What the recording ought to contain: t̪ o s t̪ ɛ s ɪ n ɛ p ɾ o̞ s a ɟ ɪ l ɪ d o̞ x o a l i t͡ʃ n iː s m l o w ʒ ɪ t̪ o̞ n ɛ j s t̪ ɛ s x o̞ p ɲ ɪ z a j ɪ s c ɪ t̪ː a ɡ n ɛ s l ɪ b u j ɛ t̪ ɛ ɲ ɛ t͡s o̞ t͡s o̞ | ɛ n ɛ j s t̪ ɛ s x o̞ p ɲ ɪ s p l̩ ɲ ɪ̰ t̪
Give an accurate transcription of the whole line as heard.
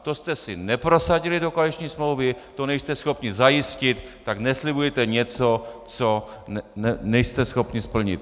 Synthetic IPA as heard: t̪ o s t̪ ɛ s ɪ n ɛ p ɾ o̞ s a ɟ ɪ l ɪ d o̞ k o a l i t͡ʃ ɲ iː s m l o w v ɪ t̪ o̞ n ɛ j s t̪ ɛ s x o̞ p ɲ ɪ z a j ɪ s c ɪ t̪ː a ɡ n ɛ s l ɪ b u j ɛ t̪ ɛ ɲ ɛ t͡s o̞ t͡s o̞ | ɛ n ɛ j s t̪ ɛ s x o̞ p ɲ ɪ s p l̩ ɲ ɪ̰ t̪